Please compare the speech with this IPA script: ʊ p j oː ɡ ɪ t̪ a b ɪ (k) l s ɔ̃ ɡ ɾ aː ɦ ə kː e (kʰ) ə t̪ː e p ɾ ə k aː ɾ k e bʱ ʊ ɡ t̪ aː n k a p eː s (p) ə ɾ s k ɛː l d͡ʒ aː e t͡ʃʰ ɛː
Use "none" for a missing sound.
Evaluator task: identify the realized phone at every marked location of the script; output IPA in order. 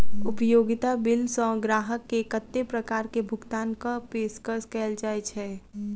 none, k, k

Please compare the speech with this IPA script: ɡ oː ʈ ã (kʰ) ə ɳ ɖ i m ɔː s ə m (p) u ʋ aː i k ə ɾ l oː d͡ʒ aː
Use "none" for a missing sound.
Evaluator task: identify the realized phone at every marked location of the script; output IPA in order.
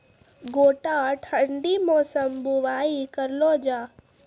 ʈʰ, b

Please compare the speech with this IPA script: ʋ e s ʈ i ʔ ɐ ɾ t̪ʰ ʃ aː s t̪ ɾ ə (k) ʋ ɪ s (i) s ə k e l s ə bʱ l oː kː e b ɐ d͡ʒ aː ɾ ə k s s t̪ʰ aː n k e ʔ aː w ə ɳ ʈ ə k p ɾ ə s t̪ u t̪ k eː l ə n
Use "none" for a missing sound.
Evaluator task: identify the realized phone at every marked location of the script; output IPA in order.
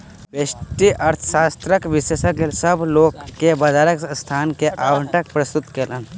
k, e

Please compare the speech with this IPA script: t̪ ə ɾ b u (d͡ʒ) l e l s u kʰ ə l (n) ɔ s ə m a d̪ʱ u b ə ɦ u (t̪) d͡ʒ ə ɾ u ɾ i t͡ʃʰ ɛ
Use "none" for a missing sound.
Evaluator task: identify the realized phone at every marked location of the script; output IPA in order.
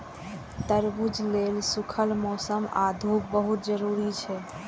d͡ʒ, m, t̪

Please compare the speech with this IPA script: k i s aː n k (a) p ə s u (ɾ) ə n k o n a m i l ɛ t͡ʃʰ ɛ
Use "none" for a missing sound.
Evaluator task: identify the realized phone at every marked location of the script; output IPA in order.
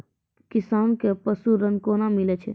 e, ɾ

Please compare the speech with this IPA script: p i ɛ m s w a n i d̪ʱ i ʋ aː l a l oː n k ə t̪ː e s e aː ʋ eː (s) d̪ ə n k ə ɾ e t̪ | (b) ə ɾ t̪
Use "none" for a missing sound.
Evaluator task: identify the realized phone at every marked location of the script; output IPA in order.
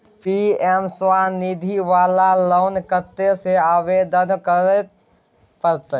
none, p

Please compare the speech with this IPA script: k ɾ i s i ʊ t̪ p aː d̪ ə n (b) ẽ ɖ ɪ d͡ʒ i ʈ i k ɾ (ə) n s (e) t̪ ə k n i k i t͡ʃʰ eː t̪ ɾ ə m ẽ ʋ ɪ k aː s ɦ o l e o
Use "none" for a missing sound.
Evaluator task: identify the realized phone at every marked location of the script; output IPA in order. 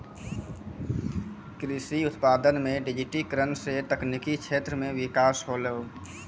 m, ə, e

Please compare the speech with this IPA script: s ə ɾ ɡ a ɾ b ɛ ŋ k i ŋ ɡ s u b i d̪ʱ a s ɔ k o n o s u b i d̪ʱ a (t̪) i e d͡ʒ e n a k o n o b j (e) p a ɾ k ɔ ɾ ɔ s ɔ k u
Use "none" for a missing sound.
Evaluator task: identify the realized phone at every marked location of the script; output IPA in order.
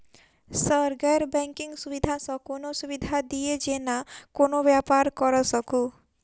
d̪, a

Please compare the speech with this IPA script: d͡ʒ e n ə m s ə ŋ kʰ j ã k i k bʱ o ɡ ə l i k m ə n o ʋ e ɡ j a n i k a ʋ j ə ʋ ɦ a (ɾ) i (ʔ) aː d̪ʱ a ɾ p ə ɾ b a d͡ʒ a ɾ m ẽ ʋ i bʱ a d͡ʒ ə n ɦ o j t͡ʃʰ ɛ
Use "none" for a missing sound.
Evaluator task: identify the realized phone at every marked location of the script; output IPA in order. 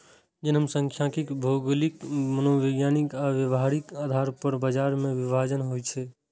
ɾ, k

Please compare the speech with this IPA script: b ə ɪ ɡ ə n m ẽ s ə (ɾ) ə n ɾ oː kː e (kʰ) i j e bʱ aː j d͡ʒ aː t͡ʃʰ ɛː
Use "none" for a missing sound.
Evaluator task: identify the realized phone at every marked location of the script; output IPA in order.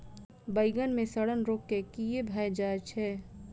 ɽ, k

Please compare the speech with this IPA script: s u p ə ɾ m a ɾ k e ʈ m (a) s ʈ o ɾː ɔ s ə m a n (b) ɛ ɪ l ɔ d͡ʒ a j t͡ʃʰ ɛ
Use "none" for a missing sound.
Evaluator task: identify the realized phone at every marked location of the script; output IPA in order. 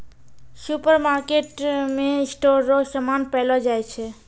e, p

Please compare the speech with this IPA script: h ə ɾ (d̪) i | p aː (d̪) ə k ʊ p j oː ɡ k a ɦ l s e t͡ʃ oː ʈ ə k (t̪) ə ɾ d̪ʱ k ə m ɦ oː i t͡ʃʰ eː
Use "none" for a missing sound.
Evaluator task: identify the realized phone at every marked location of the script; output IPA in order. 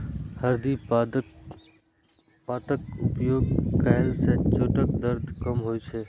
d̪, t̪, d̪

